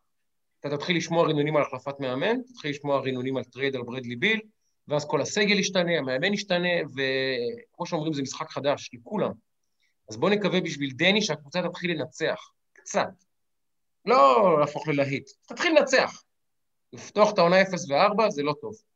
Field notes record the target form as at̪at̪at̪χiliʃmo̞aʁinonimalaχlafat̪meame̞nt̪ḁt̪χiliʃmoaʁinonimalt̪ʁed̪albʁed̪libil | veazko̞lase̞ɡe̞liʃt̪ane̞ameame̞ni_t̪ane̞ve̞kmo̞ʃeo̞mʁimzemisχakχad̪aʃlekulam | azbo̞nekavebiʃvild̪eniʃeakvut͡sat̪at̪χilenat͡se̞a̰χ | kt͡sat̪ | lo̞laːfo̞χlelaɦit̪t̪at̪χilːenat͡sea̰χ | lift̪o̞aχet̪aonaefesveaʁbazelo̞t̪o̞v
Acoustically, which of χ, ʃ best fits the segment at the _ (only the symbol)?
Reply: ʃ